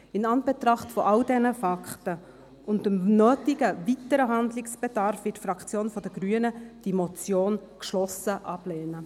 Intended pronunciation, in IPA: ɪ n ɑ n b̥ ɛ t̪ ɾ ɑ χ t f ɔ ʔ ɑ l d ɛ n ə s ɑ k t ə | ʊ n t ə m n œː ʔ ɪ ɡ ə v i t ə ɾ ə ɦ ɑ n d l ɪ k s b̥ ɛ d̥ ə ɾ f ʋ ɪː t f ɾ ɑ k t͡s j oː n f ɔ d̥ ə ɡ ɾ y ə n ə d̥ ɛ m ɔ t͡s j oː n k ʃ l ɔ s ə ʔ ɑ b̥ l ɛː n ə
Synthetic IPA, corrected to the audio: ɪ n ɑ n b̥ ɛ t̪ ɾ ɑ χ t f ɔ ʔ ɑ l d ɛ n ə f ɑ k t ə | ʊ n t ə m n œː t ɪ ɡ ə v i t ə ɾ ə ɦ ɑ n d l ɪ k s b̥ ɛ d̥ ɑ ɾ f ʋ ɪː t f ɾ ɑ k t͡s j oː n f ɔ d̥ ə ɡ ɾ y ə n ə d̥ i m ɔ t͡s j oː n k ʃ l ɔ s ə ʔ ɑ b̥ l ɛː n ə